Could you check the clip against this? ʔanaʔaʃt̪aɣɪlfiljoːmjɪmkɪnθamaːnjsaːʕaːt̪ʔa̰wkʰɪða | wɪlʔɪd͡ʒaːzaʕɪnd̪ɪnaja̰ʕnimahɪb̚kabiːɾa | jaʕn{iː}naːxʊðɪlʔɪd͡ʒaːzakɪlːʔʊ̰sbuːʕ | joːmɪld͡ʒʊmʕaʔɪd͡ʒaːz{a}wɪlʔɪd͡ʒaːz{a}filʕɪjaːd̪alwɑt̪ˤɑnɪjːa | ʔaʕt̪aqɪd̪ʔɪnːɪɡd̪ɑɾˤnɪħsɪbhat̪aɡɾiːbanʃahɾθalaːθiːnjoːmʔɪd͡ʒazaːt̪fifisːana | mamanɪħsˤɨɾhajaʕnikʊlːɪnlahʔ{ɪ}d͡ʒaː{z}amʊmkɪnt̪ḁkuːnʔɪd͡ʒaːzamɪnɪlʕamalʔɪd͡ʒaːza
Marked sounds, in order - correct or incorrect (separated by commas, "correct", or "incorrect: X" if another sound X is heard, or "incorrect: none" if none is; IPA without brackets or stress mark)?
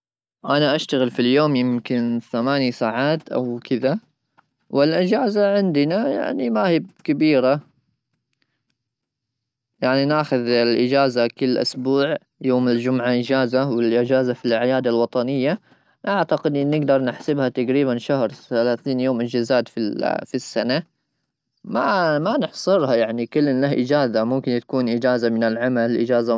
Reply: incorrect: i, correct, correct, correct, correct